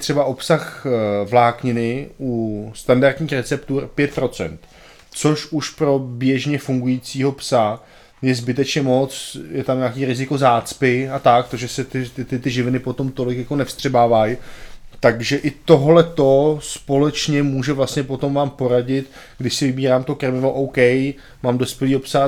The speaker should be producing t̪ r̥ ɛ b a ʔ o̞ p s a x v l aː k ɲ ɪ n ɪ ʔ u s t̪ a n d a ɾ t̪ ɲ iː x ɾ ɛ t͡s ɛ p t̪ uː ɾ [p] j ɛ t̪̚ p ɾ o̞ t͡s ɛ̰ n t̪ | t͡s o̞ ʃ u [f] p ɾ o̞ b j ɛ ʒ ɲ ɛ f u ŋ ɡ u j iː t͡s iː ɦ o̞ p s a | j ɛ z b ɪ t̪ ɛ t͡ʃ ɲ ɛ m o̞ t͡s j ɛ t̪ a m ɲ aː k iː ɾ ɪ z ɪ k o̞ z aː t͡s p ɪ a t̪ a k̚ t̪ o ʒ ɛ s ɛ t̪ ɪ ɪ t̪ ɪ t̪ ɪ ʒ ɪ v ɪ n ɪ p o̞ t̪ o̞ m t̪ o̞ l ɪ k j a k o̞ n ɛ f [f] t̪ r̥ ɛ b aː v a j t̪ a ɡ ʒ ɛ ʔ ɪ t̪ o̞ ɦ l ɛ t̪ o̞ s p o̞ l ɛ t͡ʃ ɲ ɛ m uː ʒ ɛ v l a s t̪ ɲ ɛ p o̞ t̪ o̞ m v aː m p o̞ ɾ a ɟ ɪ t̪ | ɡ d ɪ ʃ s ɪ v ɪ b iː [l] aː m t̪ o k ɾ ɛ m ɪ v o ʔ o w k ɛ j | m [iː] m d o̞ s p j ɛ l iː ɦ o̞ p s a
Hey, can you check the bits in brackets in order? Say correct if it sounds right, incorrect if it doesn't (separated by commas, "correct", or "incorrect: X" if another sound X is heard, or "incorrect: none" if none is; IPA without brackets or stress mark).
correct, incorrect: ʃ, incorrect: s, incorrect: ɾ, incorrect: aː